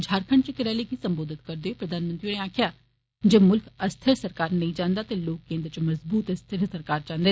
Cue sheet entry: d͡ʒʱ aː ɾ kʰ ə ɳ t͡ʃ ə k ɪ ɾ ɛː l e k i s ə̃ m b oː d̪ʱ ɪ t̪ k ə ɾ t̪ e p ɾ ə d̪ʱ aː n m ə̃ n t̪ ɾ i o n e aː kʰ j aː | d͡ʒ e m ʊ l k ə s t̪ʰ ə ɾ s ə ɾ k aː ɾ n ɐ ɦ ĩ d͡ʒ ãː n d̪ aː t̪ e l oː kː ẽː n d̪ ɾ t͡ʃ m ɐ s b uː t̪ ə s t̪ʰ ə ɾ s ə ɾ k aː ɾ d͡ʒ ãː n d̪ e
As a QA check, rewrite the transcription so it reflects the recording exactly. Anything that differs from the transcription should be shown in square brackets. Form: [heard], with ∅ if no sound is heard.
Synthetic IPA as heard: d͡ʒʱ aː ɾ kʰ ə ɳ t͡ʃ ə k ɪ ɾ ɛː l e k i s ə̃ m b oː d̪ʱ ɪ t̪ k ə ɾ [d̪] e p ɾ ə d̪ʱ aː n m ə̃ n t̪ ɾ i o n e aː kʰ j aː | d͡ʒ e m ʊ l k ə s t̪ʰ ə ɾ s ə ɾ k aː ɾ n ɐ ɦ ĩ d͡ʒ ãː n d̪ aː t̪ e l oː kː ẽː n d̪ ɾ t͡ʃ m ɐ [z] b uː t̪ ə s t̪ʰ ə ɾ s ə ɾ k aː ɾ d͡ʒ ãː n d̪ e